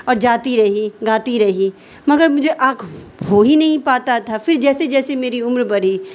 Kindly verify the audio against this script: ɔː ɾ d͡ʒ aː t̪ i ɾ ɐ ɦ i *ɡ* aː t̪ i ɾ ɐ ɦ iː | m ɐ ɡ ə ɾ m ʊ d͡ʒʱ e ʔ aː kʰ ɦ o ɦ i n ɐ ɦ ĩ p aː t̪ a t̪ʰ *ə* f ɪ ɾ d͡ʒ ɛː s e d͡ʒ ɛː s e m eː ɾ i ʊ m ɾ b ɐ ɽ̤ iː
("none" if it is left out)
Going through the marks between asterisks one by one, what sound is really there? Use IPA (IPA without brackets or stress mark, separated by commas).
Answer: ɡ, a